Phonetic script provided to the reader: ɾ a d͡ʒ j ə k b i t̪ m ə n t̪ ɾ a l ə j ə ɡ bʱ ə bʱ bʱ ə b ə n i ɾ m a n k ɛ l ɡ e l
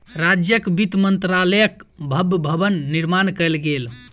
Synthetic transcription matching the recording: ɾ a d͡ʒ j ə k b i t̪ m ə n t̪ ɾ a l ə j ə k bʱ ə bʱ bʱ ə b ə nː i ɾ m a n k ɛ l ɡ e l